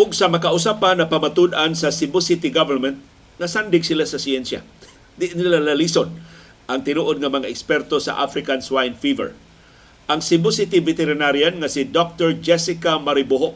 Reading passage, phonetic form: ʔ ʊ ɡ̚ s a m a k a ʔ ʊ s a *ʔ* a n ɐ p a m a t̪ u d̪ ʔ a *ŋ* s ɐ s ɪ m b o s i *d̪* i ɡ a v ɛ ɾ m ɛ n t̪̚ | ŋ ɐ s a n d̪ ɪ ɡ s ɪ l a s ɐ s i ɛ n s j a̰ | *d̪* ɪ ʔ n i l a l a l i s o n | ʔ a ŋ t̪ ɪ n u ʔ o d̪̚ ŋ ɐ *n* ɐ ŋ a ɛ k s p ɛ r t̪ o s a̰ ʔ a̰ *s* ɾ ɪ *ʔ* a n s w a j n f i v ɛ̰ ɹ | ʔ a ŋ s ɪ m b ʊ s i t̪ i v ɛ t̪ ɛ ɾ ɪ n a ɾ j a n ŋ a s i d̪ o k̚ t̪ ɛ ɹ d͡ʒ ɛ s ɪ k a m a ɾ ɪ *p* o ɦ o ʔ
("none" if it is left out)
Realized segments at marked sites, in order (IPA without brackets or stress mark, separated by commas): p, n, t̪, d̪, m, f, k, b